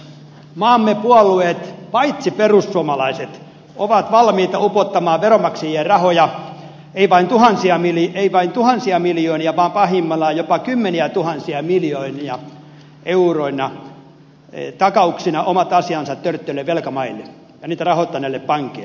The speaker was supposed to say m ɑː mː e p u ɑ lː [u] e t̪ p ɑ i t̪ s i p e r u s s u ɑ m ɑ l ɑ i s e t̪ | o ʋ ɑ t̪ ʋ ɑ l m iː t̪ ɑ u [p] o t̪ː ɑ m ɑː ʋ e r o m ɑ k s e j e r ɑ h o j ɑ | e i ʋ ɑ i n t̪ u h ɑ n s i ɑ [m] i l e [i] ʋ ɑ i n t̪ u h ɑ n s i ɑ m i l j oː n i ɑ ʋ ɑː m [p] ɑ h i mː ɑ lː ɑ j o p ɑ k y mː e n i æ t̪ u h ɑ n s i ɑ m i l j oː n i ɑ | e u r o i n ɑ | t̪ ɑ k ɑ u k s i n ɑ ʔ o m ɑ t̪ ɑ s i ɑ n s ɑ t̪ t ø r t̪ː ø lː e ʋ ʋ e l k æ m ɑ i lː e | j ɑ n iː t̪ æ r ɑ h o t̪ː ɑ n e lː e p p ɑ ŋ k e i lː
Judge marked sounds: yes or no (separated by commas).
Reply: yes, yes, yes, yes, yes